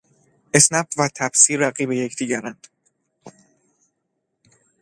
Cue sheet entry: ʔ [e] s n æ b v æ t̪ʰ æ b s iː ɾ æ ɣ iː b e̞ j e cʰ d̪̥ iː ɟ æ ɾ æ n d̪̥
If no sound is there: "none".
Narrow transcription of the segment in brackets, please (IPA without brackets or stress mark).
e